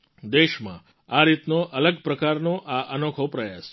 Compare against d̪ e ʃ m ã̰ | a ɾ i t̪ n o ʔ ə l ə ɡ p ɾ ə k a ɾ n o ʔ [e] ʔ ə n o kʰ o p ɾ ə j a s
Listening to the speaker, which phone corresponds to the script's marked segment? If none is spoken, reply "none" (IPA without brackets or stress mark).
a